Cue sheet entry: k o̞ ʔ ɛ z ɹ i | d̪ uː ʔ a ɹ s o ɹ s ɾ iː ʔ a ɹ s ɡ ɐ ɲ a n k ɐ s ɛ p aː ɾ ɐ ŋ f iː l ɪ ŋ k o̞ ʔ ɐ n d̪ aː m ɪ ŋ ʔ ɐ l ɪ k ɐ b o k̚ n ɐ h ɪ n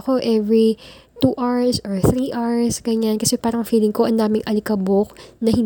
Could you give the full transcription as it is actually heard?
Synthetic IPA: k o̞ ʔ ɛ v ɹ i | t̪ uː ʔ a ɹ s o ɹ θ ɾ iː ʔ a ɹ s ɡ ɐ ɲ a n k ɐ s ɛ p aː ɾ ɐ ŋ f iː l ɪ ŋ k o̞ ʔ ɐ n d̪ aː m ɪ ŋ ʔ ɐ l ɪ k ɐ b o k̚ n ɐ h ɪ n